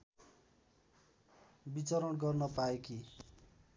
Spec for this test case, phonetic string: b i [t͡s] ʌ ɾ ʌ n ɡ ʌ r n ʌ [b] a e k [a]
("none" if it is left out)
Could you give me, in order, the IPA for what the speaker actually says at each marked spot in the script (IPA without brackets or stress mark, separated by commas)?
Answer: t͡s, p, i